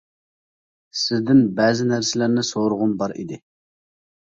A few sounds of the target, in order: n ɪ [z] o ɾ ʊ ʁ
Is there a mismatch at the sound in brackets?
yes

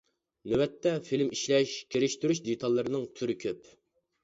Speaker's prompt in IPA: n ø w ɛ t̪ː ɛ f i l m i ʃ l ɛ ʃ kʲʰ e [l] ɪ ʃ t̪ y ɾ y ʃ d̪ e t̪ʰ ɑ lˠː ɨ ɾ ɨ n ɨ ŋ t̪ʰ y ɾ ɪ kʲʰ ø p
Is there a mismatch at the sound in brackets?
yes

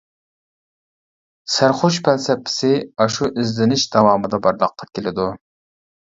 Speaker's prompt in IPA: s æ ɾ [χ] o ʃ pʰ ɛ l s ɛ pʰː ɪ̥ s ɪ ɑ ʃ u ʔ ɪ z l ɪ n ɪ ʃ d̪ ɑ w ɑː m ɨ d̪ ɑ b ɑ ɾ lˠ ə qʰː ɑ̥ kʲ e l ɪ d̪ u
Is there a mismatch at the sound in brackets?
no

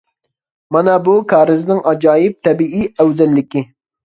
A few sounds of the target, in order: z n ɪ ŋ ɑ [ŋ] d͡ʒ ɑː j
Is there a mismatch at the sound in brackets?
yes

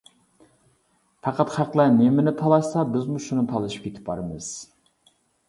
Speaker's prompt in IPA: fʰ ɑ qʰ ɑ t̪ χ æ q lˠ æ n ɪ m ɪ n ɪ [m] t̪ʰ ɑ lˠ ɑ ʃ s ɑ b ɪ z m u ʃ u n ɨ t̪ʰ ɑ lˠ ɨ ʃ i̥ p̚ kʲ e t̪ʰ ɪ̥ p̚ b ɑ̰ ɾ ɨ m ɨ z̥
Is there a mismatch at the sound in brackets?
yes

